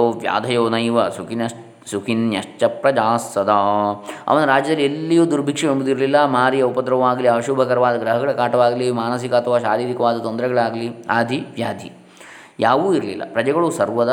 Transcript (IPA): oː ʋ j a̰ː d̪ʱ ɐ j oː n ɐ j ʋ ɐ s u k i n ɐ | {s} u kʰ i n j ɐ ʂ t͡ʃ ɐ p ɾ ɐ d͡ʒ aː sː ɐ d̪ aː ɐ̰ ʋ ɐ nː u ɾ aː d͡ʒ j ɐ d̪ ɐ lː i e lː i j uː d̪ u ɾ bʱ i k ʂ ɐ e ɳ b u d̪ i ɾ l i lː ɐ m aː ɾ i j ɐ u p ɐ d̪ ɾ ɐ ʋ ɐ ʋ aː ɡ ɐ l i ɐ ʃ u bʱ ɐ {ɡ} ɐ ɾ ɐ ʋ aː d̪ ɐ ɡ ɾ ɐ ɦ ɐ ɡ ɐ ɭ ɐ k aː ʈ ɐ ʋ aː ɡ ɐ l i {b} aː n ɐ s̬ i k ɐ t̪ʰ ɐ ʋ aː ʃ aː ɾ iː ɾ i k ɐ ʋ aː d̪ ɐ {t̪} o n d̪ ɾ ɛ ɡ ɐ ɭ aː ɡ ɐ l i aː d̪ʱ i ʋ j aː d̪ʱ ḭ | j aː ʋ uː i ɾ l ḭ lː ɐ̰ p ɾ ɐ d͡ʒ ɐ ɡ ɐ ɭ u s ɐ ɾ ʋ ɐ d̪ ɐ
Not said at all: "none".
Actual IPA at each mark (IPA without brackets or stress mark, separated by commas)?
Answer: s, k, m, t̪